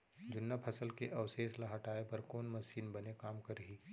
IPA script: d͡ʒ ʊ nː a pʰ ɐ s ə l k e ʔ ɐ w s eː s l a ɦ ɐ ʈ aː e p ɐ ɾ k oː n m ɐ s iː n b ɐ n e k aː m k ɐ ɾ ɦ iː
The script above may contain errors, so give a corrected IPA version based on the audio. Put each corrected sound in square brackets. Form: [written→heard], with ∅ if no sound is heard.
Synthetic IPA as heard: d͡ʒ ʊ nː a pʰ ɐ s ə l k e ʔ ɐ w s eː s l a ɦ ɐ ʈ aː e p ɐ ɾ k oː n m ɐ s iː n b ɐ n e k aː m k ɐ ɾ ɦ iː